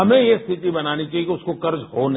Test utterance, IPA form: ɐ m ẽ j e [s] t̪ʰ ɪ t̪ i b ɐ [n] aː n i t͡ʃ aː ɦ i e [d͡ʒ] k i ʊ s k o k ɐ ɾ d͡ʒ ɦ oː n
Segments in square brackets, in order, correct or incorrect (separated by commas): correct, correct, incorrect